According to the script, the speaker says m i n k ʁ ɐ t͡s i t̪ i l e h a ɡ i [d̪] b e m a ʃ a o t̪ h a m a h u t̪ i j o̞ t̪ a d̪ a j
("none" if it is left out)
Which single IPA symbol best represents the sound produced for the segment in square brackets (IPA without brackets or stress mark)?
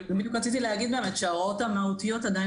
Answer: d̪